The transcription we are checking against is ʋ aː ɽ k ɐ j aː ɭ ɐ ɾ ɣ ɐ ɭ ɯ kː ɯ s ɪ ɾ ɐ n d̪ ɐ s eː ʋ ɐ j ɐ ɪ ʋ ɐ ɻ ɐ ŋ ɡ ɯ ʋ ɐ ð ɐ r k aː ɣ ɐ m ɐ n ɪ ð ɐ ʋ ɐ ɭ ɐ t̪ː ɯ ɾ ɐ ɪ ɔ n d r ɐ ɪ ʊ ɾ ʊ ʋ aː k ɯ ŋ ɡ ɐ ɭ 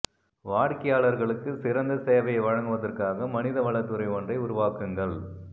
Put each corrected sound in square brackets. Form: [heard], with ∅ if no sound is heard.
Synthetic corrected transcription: ʋ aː ɽ k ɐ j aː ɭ ɐ ɾ ɣ ɐ ɭ ɯ kː ɯ s ɪ ɾ ɐ n d̪ ɐ s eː ʋ ɐ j ɐ ɪ ʋ ɐ ɻ ɐ ŋ ɡ ɯ ʋ ɐ ð ɐ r k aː ɣ ɐ m ɐ n ɪ ð ɐ ʋ ɐ ɭ ɐ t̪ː ɯ ɾ ɐ ɪ ɔ n d r ɐ ɪ ʊ ɾ ʊ ʋ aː k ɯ ŋ ɡ ɐ ɭ

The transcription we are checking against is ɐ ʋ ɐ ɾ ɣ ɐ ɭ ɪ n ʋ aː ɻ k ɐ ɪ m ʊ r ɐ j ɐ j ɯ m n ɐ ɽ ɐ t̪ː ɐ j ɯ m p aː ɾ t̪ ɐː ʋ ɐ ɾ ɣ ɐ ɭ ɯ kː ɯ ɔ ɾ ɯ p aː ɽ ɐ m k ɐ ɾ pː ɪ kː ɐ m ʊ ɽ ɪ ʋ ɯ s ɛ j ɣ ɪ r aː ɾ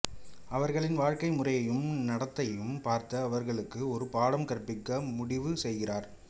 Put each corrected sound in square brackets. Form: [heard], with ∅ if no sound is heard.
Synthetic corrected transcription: ɐ ʋ ɐ ɾ ɣ ɐ ɭ ɪ n ʋ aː ɻ k ɐ ɪ m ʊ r ɐ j ɐ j ɯ m n ɐ ɽ ɐ t̪ː ɐ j ɯ m p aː ɾ t̪ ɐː ʋ ɐ ɾ ɣ ɐ ɭ ɯ kː ɯ ɔ ɾ ɯ p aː ɽ ɐ m k ɐ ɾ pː ɪ kː ɐ m ʊ ɽ ɪ ʋ ɯ s ɛ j ɣ ɪ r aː ɾ

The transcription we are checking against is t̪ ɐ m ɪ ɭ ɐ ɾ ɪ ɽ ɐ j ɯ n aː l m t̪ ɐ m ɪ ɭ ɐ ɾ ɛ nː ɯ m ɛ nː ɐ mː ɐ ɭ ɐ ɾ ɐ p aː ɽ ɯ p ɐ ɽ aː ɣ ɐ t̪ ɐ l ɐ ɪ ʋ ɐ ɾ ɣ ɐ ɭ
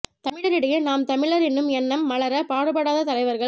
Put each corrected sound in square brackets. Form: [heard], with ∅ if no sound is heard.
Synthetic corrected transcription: t̪ ɐ m ɪ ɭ ɐ ɾ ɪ ɽ ɐ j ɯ n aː [∅] m t̪ ɐ m ɪ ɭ ɐ ɾ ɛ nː ɯ m ɛ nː ɐ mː ɐ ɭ ɐ ɾ ɐ p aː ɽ ɯ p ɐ ɽ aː [ð] ɐ t̪ ɐ l ɐ ɪ ʋ ɐ ɾ ɣ ɐ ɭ

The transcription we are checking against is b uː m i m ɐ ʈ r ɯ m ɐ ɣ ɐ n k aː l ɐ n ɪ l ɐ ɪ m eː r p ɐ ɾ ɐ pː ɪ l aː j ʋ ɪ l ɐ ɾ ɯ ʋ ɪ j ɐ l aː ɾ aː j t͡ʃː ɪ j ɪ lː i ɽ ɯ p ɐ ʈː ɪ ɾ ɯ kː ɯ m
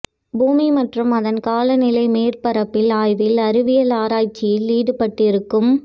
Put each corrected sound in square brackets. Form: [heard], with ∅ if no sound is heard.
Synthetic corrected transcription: b uː m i m ɐ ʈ r ɯ m ɐ [ð] ɐ n k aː l ɐ n ɪ l ɐ ɪ m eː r p ɐ ɾ ɐ pː ɪ l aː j ʋ ɪ l ɐ ɾ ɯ ʋ ɪ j ɐ l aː ɾ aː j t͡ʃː ɪ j ɪ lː [iː] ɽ ɯ p ɐ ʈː ɪ ɾ ɯ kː ɯ m

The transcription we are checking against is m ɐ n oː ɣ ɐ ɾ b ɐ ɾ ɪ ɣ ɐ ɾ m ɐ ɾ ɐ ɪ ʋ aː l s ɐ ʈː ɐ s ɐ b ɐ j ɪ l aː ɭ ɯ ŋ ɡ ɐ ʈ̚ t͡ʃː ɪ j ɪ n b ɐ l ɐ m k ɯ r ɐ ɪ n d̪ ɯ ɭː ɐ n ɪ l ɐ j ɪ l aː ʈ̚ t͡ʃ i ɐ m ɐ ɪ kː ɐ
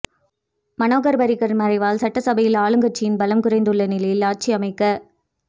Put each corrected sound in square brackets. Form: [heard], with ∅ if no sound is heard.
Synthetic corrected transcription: m ɐ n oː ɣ ɐ ɾ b ɐ ɾ ɪ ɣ ɐ ɾ m ɐ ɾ ɐ ɪ ʋ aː l s ɐ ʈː ɐ s ɐ b ɐ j ɪ l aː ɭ ɯ ŋ ɡ ɐ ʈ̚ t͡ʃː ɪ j ɪ n b ɐ l ɐ m k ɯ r ɐ ɪ n d̪ ɯ ɭː ɐ n ɪ l ɐ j ɪ l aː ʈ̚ t͡ʃ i ɐ m ɐ ɪ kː ɐ

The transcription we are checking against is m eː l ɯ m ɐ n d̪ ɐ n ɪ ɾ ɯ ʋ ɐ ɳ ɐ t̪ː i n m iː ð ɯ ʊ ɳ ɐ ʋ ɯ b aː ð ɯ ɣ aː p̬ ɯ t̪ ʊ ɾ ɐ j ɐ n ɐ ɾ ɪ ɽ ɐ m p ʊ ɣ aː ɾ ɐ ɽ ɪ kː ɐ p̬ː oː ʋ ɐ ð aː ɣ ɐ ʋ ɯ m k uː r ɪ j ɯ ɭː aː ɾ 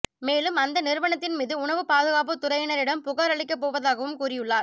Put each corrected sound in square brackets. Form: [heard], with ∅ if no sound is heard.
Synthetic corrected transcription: m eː l ɯ m ɐ n d̪ ɐ n ɪ ɾ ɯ ʋ ɐ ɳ ɐ t̪ː [ɪ] n m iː ð ɯ ʊ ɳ ɐ ʋ ɯ [p] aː ð ɯ ɣ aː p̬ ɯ t̪ ʊ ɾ ɐ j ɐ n ɐ ɾ ɪ ɽ ɐ m p ʊ ɣ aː ɾ ɐ [ɭ] ɪ kː ɐ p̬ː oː ʋ ɐ ð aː ɣ ɐ ʋ ɯ m k uː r ɪ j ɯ ɭː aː ɾ

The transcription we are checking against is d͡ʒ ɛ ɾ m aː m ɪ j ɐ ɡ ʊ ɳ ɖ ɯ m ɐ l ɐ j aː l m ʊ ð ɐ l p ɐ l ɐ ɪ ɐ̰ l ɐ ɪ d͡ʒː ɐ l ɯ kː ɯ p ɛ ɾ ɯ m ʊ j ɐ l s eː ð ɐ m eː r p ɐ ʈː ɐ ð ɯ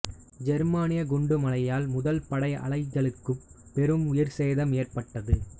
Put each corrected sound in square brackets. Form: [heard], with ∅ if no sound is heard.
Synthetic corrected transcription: d͡ʒ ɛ ɾ m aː [n] ɪ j ɐ ɡ ʊ ɳ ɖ ɯ m ɐ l ɐ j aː l m ʊ ð ɐ l p ɐ [ɽ] ɐ ɪ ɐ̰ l ɐ ɪ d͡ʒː ɐ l ɯ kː ɯ p ɛ ɾ ɯ m ʊ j ɐ [ɾ] s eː ð ɐ m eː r p ɐ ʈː ɐ ð ɯ

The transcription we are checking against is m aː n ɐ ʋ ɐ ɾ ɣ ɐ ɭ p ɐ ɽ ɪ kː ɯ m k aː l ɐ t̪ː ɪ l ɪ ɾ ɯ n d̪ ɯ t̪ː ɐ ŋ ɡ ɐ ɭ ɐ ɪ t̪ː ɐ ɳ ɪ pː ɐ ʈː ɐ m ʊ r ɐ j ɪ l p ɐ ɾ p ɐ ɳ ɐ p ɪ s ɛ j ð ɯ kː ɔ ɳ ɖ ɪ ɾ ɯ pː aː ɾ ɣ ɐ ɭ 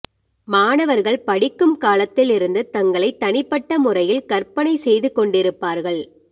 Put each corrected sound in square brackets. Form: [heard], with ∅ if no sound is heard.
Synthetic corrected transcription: m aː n ɐ ʋ ɐ ɾ ɣ ɐ ɭ p ɐ ɽ ɪ kː ɯ m k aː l ɐ t̪ː ɪ l ɪ ɾ ɯ n d̪ ɯ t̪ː ɐ ŋ ɡ ɐ ɭ ɐ ɪ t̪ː ɐ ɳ ɪ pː ɐ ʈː ɐ m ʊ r ɐ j ɪ l [k] ɐ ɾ p ɐ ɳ ɐ [∅] ɪ s ɛ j ð ɯ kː ɔ ɳ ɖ ɪ ɾ ɯ pː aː ɾ ɣ ɐ ɭ

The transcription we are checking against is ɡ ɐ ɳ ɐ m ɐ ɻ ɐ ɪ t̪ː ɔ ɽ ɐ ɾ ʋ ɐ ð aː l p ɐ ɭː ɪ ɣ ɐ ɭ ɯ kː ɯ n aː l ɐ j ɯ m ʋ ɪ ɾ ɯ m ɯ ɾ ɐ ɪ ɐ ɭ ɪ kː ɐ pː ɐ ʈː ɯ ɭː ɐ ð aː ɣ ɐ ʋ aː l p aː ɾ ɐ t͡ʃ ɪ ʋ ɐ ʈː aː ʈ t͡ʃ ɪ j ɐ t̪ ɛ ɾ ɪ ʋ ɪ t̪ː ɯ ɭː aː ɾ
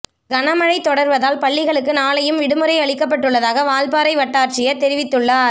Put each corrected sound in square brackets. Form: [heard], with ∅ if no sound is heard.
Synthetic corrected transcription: ɡ ɐ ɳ ɐ m ɐ ɻ ɐ ɪ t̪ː ɔ ɽ ɐ ɾ ʋ ɐ ð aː l p ɐ ɭː ɪ ɣ ɐ ɭ ɯ kː ɯ n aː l ɐ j ɯ m ʋ ɪ [ɽ] ɯ m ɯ ɾ ɐ ɪ ɐ ɭ ɪ kː ɐ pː ɐ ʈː ɯ ɭː ɐ ð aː ɣ ɐ ʋ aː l p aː ɾ ɐ [∅] ɪ ʋ ɐ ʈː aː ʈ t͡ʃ ɪ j ɐ t̪ ɛ ɾ ɪ ʋ ɪ t̪ː ɯ ɭː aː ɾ

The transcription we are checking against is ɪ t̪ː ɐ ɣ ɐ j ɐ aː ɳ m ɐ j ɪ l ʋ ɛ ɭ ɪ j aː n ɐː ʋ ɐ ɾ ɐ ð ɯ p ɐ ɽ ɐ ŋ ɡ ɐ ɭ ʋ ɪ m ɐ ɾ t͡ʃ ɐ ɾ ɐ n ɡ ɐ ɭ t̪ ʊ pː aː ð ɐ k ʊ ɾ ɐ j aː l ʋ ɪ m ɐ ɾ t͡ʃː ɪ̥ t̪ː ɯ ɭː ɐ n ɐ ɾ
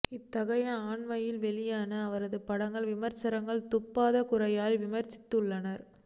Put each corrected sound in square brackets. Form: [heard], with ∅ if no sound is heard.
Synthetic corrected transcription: ɪ t̪ː ɐ ɣ ɐ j ɐ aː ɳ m ɐ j ɪ l ʋ ɛ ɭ ɪ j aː n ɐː ʋ ɐ ɾ ɐ ð ɯ p ɐ ɽ ɐ ŋ ɡ ɐ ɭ ʋ ɪ m ɐ ɾ t͡ʃ ɐ ɾ ɐ [ŋ] ɡ ɐ ɭ t̪ ʊ pː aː ð ɐ k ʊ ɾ ɐ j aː l ʋ ɪ m ɐ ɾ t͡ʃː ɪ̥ t̪ː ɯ ɭː ɐ n ɐ ɾ

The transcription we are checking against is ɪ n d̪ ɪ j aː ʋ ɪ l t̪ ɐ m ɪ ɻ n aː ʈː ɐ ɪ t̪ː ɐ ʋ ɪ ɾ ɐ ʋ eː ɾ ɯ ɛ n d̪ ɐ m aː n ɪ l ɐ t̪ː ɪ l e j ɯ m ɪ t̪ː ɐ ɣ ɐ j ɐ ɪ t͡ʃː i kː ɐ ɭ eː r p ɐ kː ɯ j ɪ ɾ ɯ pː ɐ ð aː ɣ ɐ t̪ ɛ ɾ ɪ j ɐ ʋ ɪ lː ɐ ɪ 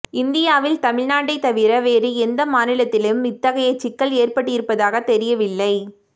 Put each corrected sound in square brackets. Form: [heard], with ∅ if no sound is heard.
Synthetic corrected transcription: ɪ n d̪ ɪ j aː ʋ ɪ l t̪ ɐ m ɪ ɻ n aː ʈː ɐ ɪ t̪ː ɐ ʋ ɪ ɾ ɐ ʋ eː ɾ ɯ ɛ n d̪ ɐ m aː n ɪ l ɐ t̪ː ɪ l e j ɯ m ɪ t̪ː ɐ ɣ ɐ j ɐ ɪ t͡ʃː [ɪ] kː ɐ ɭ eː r p ɐ [ʈː] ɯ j ɪ ɾ ɯ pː ɐ ð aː ɣ ɐ t̪ ɛ ɾ ɪ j ɐ ʋ ɪ lː ɐ ɪ

